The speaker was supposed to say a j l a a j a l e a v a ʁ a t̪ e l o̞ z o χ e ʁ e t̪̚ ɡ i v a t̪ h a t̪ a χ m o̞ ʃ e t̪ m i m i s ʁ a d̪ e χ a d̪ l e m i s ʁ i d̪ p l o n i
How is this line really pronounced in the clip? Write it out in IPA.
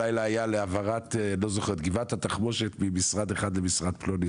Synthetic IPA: a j l a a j a l e a v a ʁ a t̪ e l o̞ z o χ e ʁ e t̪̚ ɡ i v a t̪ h a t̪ a χ m o̞ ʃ e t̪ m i m i s ʁ a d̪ e χ a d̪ l e m i s ʁ a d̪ p l o n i